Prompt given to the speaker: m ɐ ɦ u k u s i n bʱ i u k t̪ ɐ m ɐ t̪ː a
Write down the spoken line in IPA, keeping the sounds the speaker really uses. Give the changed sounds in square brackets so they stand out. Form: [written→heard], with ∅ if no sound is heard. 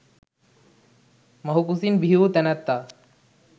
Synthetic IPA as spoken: m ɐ ɦ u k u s i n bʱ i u [k→∅] t̪ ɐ [m→n] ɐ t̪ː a